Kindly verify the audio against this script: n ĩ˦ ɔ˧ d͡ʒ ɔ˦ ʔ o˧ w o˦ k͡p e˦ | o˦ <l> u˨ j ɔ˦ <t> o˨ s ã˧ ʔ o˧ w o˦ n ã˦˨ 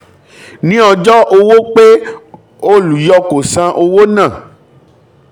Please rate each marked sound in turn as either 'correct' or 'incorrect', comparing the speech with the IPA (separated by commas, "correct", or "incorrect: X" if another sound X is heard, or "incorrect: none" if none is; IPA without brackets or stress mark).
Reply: correct, incorrect: k